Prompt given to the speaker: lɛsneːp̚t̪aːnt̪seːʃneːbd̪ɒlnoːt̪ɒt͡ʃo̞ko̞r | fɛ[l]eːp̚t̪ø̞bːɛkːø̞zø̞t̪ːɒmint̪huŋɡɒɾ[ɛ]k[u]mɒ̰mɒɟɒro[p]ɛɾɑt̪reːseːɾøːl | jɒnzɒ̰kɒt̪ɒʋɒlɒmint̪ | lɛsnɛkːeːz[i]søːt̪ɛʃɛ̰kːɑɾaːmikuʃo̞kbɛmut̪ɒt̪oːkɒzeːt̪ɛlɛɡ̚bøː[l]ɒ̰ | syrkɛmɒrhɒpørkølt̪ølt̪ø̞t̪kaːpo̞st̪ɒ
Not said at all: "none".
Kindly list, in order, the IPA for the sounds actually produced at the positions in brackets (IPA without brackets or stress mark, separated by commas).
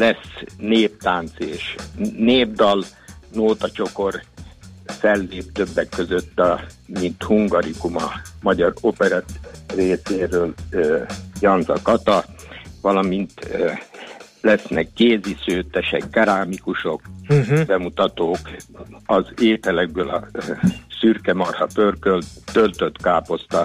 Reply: lː, i, u, p, i, l